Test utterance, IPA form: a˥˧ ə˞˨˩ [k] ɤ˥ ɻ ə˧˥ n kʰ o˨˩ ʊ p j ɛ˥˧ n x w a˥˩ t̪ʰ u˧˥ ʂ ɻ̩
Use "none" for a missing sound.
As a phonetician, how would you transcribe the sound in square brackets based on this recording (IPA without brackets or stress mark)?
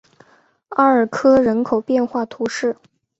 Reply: kʰ